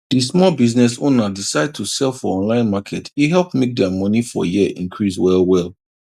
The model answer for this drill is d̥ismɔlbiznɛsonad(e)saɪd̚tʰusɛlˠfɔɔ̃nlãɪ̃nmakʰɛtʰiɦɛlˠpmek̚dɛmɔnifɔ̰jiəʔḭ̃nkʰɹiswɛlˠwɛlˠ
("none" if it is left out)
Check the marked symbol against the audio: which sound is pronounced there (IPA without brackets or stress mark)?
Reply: i